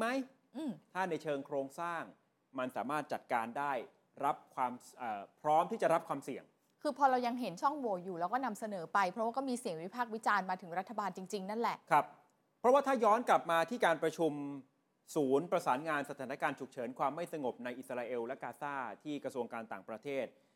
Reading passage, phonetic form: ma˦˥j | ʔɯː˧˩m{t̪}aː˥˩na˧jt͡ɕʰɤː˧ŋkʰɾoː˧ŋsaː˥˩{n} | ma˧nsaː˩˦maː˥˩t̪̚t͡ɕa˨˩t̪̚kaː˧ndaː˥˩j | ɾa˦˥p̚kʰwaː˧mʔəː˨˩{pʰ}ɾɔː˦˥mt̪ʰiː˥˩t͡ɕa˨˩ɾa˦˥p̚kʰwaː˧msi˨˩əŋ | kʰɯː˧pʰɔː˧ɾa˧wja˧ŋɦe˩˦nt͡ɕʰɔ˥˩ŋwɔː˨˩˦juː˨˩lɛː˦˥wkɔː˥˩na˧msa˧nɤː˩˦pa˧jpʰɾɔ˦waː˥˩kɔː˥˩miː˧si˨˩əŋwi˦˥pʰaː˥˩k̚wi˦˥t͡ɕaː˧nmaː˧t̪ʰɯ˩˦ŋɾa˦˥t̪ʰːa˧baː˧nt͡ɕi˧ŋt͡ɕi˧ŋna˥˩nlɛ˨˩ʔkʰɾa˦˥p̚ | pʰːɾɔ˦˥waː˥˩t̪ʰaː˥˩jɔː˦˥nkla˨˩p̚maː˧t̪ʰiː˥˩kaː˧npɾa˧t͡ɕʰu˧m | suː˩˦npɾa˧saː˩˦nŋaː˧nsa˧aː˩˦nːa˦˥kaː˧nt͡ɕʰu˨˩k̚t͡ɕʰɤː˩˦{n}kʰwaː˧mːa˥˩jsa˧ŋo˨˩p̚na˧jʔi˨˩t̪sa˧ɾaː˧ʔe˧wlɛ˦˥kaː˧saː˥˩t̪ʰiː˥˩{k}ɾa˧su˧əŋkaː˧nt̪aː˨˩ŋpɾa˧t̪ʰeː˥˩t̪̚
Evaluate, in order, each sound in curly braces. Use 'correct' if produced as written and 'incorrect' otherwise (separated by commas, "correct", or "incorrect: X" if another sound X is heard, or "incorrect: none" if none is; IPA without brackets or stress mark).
incorrect: t̪ʰ, incorrect: ŋ, correct, correct, correct